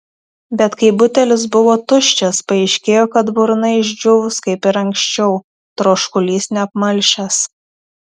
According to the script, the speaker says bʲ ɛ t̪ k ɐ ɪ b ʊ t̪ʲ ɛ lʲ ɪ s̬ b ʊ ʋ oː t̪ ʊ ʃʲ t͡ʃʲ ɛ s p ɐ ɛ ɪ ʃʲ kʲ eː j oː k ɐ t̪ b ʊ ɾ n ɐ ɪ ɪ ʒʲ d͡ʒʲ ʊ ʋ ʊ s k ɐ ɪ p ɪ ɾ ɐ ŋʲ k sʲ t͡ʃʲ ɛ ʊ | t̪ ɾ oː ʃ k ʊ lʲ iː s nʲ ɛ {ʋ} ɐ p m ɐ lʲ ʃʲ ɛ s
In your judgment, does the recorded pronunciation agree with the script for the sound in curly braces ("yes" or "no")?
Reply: no